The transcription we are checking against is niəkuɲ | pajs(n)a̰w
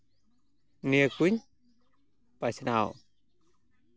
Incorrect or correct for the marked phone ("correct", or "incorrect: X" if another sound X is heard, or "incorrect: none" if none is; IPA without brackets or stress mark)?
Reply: correct